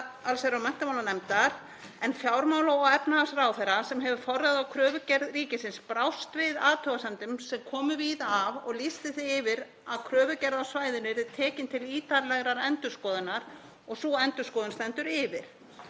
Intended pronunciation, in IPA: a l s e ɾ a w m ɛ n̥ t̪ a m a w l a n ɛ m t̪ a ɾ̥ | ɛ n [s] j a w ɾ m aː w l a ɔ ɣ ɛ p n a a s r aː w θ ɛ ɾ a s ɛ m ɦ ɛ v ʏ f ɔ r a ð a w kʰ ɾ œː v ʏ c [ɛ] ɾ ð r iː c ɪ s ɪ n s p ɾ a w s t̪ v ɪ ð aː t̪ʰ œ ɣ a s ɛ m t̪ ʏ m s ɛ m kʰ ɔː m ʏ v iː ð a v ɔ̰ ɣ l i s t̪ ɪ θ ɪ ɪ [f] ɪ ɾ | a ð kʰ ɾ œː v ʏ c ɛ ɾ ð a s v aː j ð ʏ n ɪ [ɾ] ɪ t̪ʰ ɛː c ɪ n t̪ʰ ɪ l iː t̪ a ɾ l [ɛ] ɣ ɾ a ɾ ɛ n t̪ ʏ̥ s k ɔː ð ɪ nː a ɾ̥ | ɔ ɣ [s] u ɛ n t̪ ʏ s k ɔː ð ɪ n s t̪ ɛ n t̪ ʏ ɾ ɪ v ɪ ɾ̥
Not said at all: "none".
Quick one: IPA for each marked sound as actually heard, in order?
f, ɛ, v, ɾ, ɛ, s

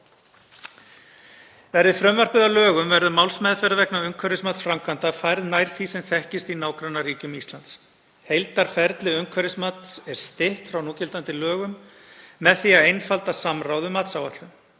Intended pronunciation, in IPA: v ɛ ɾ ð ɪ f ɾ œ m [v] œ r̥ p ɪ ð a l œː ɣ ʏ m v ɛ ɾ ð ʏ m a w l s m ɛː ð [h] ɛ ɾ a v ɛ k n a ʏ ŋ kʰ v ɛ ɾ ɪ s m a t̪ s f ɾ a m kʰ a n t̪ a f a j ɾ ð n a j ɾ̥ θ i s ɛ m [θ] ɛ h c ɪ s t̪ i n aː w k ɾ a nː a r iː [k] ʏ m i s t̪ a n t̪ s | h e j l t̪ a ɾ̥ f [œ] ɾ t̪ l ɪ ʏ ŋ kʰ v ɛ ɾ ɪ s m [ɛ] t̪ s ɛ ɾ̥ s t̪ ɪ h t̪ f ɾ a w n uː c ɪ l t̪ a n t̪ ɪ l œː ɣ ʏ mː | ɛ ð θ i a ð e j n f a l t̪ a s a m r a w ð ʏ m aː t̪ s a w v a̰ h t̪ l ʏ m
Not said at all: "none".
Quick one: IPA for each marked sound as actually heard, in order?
v, f, θ, c, ɛ, a

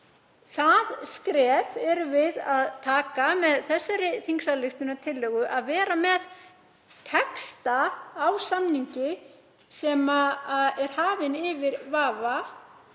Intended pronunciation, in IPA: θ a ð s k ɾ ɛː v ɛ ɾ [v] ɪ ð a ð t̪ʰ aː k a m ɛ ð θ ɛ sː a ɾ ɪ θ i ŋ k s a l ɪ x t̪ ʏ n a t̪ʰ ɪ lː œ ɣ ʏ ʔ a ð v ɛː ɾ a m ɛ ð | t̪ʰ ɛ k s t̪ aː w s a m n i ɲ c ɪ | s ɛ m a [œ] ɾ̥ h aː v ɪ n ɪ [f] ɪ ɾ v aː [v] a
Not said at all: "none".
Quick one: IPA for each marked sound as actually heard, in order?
v, ɛ, v, v

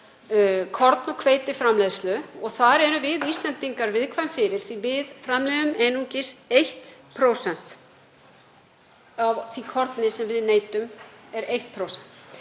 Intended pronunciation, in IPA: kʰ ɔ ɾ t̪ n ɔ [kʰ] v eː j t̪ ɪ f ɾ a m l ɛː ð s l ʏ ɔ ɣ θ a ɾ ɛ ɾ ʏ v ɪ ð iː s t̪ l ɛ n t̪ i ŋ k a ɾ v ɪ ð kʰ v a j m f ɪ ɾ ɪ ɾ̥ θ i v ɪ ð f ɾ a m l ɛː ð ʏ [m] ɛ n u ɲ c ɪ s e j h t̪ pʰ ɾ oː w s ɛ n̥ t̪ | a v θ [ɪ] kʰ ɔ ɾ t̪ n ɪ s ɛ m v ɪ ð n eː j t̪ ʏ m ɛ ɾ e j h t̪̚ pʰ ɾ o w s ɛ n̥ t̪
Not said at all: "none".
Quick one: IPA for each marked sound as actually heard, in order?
kʰ, m, i

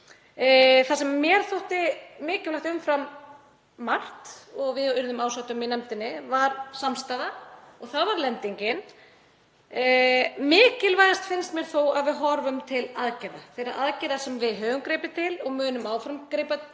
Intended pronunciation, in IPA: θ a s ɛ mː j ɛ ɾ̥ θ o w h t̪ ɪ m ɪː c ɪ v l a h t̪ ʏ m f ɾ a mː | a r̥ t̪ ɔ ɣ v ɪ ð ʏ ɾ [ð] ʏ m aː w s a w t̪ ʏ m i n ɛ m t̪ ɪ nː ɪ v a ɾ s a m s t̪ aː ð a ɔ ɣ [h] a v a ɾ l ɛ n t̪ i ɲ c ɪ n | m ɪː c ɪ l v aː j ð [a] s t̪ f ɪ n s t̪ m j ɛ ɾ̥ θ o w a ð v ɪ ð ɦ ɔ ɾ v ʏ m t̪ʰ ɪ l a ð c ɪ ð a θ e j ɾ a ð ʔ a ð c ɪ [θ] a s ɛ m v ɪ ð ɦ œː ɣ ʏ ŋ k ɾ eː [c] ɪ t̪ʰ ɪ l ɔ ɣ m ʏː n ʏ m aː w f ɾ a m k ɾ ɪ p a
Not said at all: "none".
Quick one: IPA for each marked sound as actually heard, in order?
ð, θ, a, ð, p

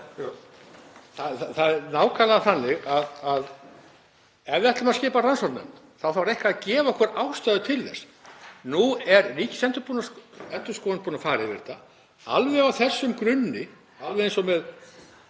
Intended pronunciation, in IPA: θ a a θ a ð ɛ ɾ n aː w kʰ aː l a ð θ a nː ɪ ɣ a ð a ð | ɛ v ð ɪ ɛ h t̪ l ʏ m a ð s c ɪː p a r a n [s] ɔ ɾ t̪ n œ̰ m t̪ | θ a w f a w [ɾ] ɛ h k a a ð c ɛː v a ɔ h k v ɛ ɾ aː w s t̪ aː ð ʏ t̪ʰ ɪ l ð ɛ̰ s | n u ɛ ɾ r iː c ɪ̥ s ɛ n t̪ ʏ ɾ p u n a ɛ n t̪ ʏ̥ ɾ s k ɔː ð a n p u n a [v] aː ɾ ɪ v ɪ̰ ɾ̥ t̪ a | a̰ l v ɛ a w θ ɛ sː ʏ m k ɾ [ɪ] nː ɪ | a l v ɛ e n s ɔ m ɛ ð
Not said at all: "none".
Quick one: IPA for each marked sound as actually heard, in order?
s, ɾ, f, ɪ

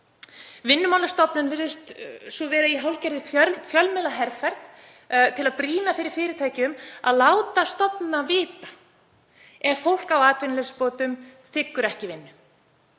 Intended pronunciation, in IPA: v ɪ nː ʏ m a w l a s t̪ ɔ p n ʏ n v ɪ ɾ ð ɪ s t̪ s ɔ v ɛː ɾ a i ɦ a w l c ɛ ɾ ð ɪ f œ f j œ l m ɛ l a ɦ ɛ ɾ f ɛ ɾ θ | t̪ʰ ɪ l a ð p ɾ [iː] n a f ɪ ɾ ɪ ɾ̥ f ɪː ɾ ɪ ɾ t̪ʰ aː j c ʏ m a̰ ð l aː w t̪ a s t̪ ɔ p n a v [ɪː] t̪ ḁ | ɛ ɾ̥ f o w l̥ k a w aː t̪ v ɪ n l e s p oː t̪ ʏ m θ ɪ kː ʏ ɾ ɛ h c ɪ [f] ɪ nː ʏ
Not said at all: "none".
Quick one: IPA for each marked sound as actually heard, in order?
iː, ɪː, v

